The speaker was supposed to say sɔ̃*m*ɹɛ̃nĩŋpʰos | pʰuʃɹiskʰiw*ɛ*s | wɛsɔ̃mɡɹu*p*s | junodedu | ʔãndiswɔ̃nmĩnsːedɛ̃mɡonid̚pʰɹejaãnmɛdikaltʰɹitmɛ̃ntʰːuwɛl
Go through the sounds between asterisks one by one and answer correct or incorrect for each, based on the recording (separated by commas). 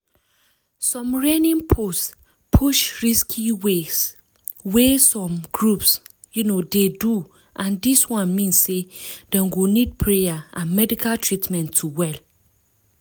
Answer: correct, incorrect, correct